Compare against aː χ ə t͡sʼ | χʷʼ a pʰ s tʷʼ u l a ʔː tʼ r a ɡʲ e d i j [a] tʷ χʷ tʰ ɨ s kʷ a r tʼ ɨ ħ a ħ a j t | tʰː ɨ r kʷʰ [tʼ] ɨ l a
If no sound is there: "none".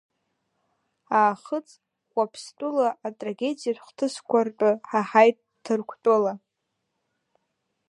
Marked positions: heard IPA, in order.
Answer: a, tʼ

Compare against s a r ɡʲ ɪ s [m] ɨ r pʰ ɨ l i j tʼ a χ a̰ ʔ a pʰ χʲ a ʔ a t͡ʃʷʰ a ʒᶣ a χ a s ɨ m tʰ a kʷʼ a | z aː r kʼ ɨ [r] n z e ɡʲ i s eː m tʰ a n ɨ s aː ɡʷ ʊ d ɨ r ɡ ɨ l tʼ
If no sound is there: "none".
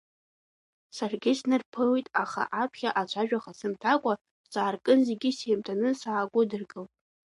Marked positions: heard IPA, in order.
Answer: n, none

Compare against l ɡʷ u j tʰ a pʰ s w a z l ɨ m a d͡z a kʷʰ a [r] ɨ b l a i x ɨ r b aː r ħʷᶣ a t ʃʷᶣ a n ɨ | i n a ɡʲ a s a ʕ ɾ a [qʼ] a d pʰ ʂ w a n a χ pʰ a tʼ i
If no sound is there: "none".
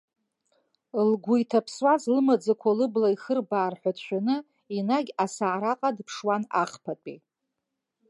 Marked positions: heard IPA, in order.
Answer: l, qʼ

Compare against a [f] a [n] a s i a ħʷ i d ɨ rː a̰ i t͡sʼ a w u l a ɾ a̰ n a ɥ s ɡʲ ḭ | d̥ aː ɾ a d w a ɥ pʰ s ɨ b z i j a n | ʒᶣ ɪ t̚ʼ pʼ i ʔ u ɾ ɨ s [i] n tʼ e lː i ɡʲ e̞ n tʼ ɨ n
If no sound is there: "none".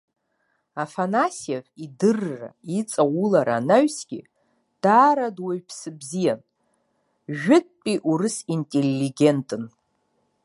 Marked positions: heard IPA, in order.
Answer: f, n, i

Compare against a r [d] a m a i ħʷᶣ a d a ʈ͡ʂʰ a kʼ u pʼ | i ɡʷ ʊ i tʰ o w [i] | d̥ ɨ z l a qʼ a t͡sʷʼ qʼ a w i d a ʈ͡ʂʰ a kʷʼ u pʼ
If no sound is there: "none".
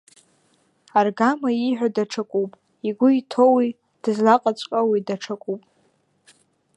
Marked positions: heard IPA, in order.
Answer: ɡ, i

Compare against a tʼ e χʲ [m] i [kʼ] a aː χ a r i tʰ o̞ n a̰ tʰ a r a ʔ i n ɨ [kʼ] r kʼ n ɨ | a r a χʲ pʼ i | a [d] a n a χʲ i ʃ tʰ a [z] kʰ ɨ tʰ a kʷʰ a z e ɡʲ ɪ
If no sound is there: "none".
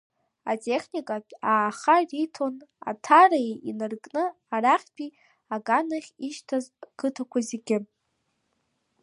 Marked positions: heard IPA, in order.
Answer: n, kʼ, none, ɡ, z

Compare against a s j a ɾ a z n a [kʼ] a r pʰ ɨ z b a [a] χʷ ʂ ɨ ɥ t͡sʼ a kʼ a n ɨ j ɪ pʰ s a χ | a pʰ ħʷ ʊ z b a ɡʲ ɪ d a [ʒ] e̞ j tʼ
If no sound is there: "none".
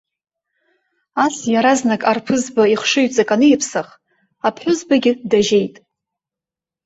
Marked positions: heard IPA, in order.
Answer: kʼ, i, ʒ

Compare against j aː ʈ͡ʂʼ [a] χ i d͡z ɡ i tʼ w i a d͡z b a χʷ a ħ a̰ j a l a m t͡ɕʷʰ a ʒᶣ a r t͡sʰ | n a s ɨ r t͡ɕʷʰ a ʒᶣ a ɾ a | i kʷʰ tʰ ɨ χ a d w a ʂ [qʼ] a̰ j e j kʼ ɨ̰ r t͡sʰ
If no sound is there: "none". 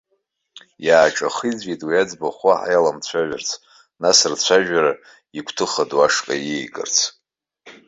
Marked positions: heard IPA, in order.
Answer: a, kʼ

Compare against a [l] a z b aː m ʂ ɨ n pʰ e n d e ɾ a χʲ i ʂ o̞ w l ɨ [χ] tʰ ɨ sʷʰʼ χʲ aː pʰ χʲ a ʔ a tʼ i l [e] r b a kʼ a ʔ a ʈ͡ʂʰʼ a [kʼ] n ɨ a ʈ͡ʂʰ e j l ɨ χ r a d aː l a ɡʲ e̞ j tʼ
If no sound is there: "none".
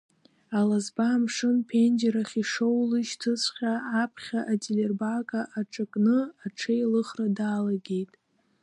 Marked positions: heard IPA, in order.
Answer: l, ʃ, e, kʼ

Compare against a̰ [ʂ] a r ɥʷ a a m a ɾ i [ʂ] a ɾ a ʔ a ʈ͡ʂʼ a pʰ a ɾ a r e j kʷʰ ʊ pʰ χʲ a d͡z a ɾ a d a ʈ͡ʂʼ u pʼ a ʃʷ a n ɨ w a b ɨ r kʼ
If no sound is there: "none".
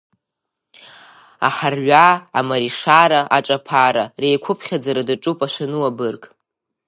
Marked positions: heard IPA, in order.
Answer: ħ, ʂ

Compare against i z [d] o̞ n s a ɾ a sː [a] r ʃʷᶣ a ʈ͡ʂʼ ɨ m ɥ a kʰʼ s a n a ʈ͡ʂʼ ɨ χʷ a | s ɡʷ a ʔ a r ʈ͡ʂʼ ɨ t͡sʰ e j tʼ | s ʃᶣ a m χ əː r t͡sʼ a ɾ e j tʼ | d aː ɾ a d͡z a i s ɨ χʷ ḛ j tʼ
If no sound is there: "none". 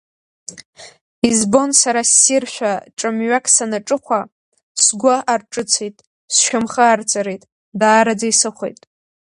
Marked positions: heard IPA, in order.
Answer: b, i

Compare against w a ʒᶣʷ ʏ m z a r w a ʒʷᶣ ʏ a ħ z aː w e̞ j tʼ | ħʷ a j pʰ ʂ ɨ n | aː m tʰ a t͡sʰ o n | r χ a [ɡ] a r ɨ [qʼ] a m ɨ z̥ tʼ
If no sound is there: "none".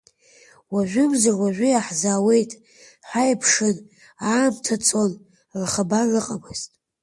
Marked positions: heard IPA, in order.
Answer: b, qʼ

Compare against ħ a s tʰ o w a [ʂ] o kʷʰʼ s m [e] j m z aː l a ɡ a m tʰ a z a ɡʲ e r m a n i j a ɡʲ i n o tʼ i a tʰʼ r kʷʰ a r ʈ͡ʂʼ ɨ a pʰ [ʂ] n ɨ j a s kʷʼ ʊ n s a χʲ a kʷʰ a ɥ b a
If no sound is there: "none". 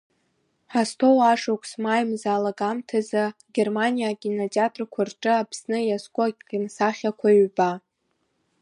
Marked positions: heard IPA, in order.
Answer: ʂ, a, s

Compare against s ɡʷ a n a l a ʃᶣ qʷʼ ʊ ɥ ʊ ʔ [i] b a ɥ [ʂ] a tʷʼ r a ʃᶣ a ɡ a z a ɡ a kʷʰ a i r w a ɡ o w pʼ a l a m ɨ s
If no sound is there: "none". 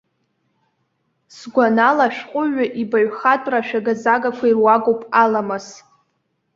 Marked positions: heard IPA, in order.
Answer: i, χ

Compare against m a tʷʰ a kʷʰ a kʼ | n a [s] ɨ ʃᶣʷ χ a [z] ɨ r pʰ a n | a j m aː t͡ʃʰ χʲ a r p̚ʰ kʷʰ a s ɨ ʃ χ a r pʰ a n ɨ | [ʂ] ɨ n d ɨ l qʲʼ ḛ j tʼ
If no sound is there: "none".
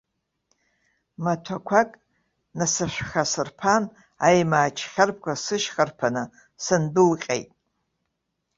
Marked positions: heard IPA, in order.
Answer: s, s, s

